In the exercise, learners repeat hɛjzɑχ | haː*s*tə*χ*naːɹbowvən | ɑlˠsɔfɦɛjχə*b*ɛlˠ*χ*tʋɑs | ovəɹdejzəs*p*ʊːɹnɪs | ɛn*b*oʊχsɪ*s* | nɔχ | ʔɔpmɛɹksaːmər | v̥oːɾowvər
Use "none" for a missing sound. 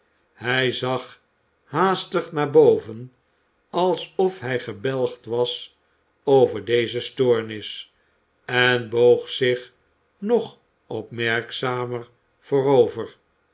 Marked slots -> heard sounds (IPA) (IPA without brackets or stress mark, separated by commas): s, χ, b, χ, t, b, χ